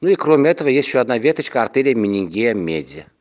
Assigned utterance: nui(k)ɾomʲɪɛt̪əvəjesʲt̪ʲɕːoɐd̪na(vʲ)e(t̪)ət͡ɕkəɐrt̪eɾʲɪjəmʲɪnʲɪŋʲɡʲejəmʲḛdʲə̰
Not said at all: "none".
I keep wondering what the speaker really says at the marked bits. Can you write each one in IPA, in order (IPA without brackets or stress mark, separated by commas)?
k, vʲ, t̪